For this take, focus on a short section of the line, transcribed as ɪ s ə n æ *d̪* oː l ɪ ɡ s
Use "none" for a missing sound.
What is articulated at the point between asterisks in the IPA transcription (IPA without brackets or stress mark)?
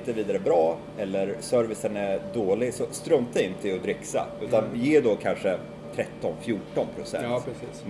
d̪